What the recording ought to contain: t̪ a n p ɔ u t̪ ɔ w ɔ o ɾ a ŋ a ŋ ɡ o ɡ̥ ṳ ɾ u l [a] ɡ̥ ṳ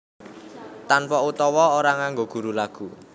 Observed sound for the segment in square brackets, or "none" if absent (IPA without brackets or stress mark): a